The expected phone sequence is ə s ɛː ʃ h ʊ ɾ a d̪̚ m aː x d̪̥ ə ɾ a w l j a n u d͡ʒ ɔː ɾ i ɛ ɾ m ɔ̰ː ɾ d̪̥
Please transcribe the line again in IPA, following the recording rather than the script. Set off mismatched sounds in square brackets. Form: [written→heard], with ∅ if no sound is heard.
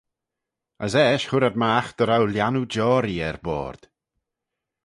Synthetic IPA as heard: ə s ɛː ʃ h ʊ ɾ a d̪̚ m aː x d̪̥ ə ɾ a w l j a n u d͡ʒ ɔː ɾ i ɛ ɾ [m→b] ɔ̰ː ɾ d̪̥